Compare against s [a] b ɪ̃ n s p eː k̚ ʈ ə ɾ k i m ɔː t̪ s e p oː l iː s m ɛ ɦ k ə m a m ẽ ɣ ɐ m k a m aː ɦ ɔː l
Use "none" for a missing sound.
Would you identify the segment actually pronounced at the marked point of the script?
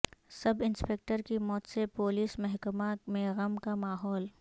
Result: ɐ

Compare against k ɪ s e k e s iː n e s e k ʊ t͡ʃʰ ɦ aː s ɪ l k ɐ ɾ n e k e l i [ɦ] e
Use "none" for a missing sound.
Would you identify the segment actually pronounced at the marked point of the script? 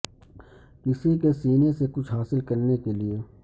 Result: none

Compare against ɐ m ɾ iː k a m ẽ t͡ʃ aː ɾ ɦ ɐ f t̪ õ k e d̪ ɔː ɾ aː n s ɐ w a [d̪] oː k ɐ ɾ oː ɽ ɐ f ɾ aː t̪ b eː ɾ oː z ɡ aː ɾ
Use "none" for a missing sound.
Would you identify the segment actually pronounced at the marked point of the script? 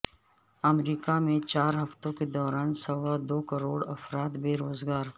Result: d̪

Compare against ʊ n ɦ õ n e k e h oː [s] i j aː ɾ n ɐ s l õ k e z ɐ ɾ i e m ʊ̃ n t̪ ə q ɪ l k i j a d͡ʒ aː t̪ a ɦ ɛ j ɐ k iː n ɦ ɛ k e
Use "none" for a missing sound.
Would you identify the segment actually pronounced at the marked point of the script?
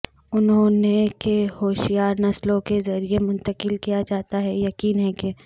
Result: ʃ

